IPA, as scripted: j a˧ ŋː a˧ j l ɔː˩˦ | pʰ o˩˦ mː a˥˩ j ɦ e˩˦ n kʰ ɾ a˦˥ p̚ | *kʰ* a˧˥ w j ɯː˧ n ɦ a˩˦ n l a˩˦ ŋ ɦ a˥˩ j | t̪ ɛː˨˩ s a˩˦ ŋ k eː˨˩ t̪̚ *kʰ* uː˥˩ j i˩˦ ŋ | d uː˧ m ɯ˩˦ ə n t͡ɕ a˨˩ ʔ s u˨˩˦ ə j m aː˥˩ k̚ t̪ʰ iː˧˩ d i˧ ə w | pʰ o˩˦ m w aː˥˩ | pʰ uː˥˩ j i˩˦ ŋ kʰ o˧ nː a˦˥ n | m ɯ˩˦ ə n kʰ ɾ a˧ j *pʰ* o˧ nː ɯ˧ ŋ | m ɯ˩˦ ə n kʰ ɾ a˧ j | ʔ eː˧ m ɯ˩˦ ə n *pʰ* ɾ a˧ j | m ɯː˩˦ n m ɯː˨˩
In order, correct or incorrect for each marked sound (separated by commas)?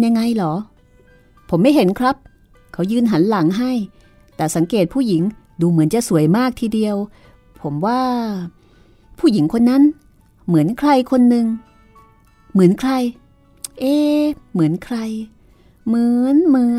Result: correct, incorrect, incorrect, incorrect